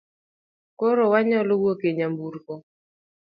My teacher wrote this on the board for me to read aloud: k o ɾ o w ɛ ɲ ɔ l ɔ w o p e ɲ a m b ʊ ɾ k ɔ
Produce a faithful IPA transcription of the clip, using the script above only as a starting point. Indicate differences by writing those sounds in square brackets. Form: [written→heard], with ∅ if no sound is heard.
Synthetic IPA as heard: k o ɾ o w [ɛ→a] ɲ ɔ l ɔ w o [p→k] e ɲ a m b [ʊ→u] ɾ k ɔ